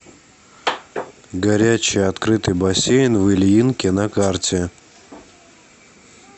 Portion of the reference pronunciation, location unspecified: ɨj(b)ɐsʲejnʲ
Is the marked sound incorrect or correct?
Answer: correct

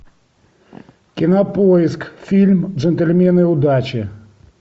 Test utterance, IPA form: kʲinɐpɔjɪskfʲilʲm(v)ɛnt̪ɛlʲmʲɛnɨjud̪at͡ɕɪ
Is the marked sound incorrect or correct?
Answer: incorrect: ʐ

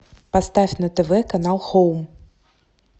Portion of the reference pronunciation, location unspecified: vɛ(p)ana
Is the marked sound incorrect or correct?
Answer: incorrect: k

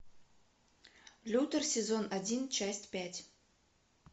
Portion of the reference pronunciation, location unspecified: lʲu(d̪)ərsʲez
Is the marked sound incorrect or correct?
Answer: incorrect: t̪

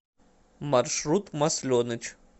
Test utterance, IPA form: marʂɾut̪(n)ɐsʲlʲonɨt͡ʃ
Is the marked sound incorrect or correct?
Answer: incorrect: m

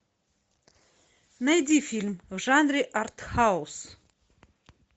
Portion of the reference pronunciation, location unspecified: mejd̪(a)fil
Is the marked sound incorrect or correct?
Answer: incorrect: i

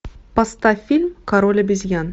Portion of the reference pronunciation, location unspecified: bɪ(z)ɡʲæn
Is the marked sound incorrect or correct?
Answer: correct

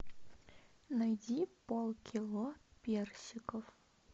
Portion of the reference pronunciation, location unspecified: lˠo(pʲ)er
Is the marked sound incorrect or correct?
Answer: correct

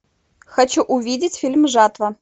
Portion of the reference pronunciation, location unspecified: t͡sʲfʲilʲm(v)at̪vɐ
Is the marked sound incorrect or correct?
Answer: incorrect: ʐ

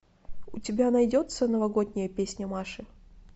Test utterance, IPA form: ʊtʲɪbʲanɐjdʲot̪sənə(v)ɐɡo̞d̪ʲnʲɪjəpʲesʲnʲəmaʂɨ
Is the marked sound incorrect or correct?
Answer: correct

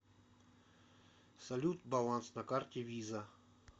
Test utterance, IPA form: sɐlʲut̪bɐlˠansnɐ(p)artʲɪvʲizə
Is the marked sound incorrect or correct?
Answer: incorrect: k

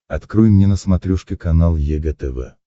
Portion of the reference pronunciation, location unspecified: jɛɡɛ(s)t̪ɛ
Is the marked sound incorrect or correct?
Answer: incorrect: none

